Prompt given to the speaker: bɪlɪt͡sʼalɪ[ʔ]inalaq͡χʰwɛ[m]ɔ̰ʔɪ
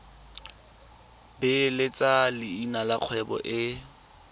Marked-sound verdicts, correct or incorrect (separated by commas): incorrect, incorrect